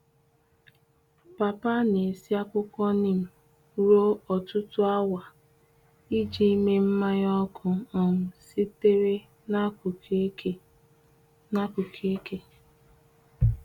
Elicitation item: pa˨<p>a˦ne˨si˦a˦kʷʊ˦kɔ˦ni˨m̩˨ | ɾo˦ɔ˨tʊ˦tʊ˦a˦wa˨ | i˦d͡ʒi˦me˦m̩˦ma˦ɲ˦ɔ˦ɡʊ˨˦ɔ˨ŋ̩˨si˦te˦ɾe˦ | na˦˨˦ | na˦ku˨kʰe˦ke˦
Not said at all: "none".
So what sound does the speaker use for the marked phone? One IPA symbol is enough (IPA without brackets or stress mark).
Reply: p